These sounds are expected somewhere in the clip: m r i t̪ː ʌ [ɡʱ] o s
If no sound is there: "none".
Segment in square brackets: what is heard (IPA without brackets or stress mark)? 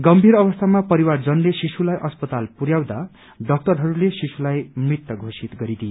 ɡʱ